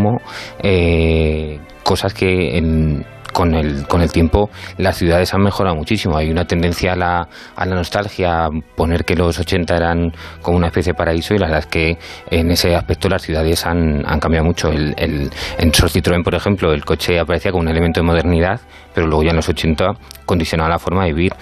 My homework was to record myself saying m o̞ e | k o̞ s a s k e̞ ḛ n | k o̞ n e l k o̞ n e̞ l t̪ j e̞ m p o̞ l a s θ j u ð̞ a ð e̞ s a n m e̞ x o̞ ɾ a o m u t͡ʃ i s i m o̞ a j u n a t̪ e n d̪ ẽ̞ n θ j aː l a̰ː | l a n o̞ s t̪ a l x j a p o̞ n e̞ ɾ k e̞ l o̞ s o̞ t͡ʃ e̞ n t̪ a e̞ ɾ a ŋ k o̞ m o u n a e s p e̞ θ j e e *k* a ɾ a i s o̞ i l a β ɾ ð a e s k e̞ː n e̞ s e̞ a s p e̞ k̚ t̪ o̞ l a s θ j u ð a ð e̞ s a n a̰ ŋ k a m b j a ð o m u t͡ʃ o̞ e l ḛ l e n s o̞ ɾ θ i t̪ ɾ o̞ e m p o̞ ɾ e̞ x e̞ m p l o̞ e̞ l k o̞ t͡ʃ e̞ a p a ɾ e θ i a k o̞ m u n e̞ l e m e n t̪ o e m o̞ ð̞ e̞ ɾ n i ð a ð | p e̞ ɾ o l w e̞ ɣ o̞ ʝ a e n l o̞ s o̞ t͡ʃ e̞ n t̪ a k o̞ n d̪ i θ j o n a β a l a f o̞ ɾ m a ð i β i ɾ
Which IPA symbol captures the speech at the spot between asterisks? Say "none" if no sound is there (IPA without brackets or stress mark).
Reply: p